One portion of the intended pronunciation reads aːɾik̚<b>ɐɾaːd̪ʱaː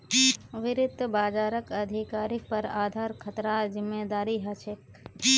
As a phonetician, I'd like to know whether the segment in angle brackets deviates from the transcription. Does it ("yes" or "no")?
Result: yes